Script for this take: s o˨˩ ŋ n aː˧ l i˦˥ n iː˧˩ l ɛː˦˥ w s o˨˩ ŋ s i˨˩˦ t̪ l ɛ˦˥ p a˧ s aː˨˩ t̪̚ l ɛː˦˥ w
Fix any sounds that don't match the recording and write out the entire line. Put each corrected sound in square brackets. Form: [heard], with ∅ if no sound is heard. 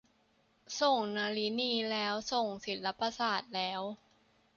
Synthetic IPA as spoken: s o˨˩ ŋ n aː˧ l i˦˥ n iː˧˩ l ɛː˦˥ w s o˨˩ ŋ s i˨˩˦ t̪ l [a˦˥] p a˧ s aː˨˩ t̪̚ l ɛː˦˥ w